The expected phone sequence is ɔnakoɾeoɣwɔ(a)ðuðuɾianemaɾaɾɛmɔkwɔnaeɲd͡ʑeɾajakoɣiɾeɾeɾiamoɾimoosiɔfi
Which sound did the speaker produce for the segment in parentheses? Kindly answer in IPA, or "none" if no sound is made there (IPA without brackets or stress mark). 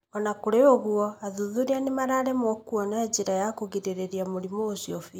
a